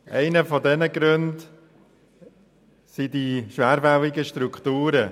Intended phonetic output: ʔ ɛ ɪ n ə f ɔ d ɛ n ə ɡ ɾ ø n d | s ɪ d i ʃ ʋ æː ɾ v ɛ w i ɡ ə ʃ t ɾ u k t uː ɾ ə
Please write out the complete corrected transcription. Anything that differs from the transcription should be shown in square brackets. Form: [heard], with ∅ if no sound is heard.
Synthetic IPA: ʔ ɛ ɪ n ə f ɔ d ɛ n ə ɡ ɾ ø n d | s [i] d i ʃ ʋ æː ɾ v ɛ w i ɡ ə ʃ t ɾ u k t uː ɾ ə

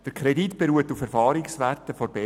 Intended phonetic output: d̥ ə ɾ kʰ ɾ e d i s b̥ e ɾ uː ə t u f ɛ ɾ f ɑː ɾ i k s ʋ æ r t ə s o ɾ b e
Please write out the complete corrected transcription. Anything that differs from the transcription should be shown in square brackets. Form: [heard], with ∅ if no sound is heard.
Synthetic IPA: d̥ ə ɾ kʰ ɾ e d i [t] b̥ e ɾ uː ə t u f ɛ ɾ f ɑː ɾ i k s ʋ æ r t ə [f] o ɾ b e

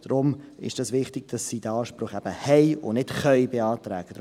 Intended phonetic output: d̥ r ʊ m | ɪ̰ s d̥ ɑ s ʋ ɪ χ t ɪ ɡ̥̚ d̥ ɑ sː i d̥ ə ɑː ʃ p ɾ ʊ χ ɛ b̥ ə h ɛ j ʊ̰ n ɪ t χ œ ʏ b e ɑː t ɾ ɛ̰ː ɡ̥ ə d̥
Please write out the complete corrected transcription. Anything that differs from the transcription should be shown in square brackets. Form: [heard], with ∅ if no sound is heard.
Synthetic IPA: d̥ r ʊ m | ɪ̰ [ʃ] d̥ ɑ s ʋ ɪ χ t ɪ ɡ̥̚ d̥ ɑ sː i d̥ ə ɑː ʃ p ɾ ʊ χ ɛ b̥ ə h ɛ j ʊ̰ n ɪ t χ œ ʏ b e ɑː t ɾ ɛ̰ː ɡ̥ ə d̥

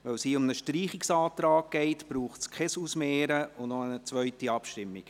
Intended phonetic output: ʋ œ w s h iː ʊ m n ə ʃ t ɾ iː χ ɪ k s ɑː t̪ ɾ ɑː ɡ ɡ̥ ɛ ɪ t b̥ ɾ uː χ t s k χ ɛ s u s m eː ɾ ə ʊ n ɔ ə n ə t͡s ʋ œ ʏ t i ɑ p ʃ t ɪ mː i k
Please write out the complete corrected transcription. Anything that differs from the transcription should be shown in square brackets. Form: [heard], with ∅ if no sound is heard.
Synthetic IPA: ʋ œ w s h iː ʊ m n ə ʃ t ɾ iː χ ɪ k s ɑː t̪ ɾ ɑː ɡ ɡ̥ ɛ ɪ t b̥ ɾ uː χ t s k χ ɛ s u s m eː ɾ ə ʊ n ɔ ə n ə t͡s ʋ œ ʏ t i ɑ p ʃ t ɪ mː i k

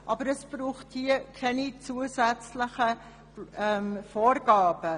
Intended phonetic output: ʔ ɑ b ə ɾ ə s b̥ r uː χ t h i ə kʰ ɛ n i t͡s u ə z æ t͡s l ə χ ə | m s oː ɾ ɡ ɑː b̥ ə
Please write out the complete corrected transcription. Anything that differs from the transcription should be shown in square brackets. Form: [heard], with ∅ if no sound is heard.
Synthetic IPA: ʔ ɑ b ə ɾ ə s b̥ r uː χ t h i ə kʰ ɛ n i t͡s u ə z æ t͡s l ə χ ə | m [f] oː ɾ ɡ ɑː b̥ ə

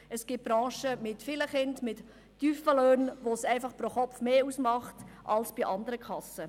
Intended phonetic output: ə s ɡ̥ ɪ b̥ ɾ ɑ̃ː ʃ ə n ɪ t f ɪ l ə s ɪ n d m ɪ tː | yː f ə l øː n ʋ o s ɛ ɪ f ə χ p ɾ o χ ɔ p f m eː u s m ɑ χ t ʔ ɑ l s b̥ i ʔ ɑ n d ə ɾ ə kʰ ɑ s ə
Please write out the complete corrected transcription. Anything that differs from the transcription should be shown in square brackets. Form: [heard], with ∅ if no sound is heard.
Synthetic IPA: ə s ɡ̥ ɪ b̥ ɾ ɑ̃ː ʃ ə [m] ɪ t f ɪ l ə [χ] ɪ n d m ɪ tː | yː f ə l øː n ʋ o s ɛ ɪ f [ɑ] χ p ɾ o χ ɔ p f m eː u s m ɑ χ t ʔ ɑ l s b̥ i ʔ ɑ n d ə ɾ ə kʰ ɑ s ə

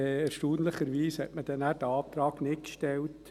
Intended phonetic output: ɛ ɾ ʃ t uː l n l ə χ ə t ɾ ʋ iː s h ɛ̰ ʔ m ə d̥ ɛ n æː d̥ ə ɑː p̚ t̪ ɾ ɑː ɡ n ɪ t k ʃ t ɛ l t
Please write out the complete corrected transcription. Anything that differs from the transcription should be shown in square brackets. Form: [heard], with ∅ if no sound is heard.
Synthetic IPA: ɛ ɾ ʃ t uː [∅] n l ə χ ə [∅] ɾ ʋ iː s h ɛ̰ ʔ m ə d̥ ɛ n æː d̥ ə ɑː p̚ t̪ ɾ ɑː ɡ n ɪ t k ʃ t ɛ l t

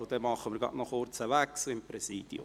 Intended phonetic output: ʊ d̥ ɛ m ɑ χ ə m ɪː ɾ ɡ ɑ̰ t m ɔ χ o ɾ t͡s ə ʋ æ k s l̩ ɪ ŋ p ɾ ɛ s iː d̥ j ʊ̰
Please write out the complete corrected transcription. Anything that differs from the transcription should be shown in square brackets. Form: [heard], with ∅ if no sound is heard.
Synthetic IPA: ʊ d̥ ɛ m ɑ χ ə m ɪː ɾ ɡ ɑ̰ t [n] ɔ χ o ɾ t͡s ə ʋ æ k s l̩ ɪ [m] p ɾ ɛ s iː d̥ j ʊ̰

